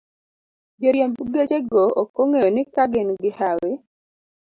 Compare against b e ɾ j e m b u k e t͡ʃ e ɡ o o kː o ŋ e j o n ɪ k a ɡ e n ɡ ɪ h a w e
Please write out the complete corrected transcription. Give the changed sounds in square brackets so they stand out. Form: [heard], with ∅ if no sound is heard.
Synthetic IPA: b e ɾ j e m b u [ɡ] e t͡ʃ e ɡ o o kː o ŋ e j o n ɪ k a ɡ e n ɡ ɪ h a w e